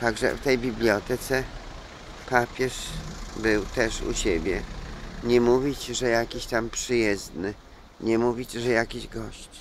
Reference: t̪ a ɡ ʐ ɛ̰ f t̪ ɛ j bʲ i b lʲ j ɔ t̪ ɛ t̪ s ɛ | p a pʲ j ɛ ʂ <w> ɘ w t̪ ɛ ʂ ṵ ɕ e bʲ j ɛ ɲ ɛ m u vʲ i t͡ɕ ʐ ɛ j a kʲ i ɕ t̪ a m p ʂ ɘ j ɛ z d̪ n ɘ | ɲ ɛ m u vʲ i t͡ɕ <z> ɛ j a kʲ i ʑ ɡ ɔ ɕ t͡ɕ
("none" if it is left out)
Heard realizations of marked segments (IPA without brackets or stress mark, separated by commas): b, ʐ